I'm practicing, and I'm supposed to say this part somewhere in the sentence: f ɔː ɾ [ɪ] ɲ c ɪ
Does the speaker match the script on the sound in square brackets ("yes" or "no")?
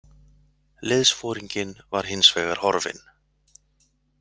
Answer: no